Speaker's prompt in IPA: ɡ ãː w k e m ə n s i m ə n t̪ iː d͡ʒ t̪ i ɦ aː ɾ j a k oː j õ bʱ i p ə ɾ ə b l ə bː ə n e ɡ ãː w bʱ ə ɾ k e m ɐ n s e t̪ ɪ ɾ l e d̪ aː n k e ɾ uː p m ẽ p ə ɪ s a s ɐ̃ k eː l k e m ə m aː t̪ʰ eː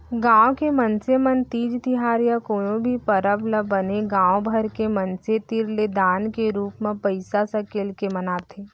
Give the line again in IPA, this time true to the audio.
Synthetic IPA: ɡ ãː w k e m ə n s e m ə n t̪ iː d͡ʒ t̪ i ɦ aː ɾ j a k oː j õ bʱ i p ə ɾ ə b l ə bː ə n e ɡ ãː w bʱ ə ɾ k e m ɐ n s e t̪ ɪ ɾ l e d̪ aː n k e ɾ uː p m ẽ p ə ɪ s a s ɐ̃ k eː l k e m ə n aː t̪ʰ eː